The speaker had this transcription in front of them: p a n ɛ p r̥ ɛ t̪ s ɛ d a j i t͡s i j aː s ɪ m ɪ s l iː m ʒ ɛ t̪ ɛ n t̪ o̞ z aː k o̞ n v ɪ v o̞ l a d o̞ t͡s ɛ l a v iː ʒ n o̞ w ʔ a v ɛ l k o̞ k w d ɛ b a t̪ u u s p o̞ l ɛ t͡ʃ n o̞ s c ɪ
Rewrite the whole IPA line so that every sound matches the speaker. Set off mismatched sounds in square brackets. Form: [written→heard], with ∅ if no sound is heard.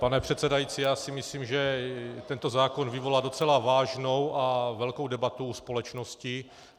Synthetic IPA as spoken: p a n ɛ p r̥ ɛ t̪ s ɛ d a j i t͡s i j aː s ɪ m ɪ s l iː m ʒ ɛ t̪ ɛ n t̪ o̞ z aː k o̞ n v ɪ v o̞ l a d o̞ t͡s ɛ l a v [iː→aː] ʒ n o̞ w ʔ a v ɛ l k o̞ [k→∅] w d ɛ b a t̪ u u s p o̞ l ɛ t͡ʃ n o̞ s c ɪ

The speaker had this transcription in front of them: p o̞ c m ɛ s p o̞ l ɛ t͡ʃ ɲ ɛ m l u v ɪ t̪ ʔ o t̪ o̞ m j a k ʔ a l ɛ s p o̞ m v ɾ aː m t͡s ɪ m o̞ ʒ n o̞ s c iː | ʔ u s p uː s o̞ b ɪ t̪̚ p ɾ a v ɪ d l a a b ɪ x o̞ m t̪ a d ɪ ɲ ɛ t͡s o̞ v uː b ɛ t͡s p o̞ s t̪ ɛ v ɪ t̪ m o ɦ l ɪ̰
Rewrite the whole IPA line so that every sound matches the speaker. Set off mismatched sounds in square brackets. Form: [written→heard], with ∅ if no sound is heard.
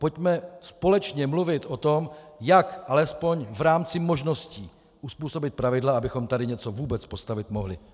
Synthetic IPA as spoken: p o̞ c m ɛ s p o̞ l ɛ t͡ʃ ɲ ɛ m l u v ɪ t̪ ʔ o t̪ o̞ m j a k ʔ a l ɛ s p o̞ [m→ɲ] v ɾ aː m t͡s ɪ m o̞ ʒ n o̞ s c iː | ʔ u s p uː s o̞ b ɪ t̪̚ p ɾ a v ɪ d l a a b ɪ x o̞ m t̪ a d ɪ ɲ ɛ t͡s o̞ v uː b ɛ t͡s p o̞ s t̪ [ɛ→a] v ɪ t̪ m o ɦ l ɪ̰

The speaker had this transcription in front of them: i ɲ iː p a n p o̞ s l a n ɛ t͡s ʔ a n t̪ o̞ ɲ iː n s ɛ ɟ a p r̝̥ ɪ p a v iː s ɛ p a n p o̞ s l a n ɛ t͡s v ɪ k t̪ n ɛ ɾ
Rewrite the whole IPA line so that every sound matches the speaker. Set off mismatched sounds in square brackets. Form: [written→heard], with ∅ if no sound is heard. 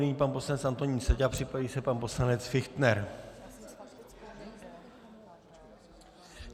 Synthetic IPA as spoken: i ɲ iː p a n p o̞ s l a n ɛ t͡s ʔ a n t̪ o̞ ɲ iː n s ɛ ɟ a p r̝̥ ɪ p a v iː s ɛ p a n p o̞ s l a n ɛ t͡s [v→f] ɪ [k→x] t̪ n ɛ ɾ

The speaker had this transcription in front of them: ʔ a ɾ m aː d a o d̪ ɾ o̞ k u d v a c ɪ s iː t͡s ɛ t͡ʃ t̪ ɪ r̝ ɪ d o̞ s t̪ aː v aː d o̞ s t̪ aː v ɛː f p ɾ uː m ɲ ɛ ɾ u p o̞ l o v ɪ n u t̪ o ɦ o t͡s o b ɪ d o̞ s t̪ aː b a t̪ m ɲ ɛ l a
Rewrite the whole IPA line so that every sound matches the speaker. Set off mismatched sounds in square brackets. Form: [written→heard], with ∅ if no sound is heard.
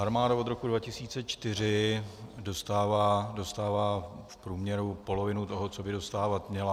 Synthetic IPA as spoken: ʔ a ɾ m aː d a o d̪ ɾ o̞ k u d v a c ɪ s iː t͡s ɛ t͡ʃ t̪ ɪ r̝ ɪ d o̞ s t̪ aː v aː d o̞ s t̪ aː v [ɛː→aː] f p ɾ uː m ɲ ɛ ɾ u p o̞ l o v ɪ n u t̪ o ɦ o t͡s o b ɪ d o̞ s t̪ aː [b→v] a t̪ m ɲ ɛ l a

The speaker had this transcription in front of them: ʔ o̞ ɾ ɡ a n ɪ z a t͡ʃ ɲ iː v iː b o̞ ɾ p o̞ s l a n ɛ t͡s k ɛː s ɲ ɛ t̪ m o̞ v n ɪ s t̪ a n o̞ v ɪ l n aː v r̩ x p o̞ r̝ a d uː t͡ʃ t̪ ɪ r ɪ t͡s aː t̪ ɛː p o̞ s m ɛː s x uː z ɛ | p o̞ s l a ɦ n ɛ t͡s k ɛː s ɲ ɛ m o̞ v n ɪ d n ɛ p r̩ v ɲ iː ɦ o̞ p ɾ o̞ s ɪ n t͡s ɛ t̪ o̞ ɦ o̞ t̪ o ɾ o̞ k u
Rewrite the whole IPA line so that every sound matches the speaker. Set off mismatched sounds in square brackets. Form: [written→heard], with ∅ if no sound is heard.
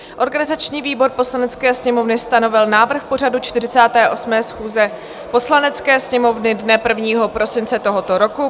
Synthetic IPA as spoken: ʔ o̞ ɾ ɡ a n ɪ z a t͡ʃ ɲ iː v iː b o̞ ɾ p o̞ s l a n ɛ t͡s k ɛː s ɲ ɛ [t̪→∅] m o̞ v n ɪ s t̪ a n o̞ v ɪ l n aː v r̩ x p o̞ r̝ a d [uː→u] t͡ʃ t̪ ɪ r ɪ t͡s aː t̪ ɛː [p→ʔ] o̞ s m ɛː s x uː z ɛ | p o̞ s l a [ɦ→∅] n ɛ t͡s k ɛː s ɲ ɛ m o̞ v n ɪ d n ɛ p r̩ v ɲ iː ɦ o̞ p ɾ o̞ s ɪ n t͡s ɛ t̪ o̞ ɦ o̞ t̪ o ɾ o̞ k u

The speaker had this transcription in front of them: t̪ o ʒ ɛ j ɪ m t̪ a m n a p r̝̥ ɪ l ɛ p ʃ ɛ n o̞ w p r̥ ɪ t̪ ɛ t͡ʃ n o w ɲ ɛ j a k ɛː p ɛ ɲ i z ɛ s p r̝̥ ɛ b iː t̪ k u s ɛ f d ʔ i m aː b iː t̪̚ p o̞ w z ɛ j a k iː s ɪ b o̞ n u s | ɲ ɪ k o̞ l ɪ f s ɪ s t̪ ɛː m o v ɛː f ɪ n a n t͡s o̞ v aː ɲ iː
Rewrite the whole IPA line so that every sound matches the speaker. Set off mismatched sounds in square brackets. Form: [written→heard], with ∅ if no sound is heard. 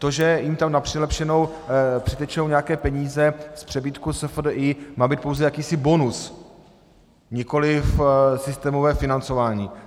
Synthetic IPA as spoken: t̪ o ʒ ɛ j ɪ m t̪ a m n a p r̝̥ ɪ l ɛ p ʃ ɛ n o̞ w p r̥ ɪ t̪ ɛ t͡ʃ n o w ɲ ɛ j a k ɛː p ɛ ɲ [i→iː] z ɛ s p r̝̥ ɛ b iː t̪ k u s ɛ f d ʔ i m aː b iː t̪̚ p o̞ w z ɛ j a k iː s ɪ b o̞ n u s | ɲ ɪ k o̞ l ɪ f s ɪ s t̪ ɛː m o v ɛː f ɪ n a n t͡s o̞ v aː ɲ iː

